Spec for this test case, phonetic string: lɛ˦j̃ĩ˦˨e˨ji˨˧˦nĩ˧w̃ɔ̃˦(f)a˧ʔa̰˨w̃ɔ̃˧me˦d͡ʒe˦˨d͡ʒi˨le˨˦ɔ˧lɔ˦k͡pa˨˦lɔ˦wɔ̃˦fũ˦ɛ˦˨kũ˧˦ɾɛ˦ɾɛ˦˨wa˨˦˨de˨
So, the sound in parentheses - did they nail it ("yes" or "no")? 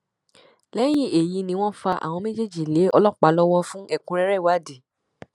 yes